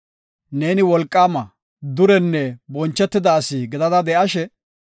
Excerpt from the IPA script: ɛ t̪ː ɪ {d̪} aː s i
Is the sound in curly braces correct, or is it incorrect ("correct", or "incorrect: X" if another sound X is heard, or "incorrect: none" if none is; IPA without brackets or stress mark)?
correct